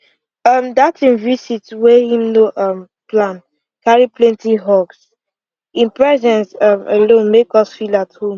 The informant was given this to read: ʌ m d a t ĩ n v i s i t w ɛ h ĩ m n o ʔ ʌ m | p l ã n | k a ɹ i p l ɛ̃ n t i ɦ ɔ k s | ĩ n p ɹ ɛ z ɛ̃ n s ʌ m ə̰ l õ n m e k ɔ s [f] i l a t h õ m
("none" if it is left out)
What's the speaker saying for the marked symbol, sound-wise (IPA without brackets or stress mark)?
f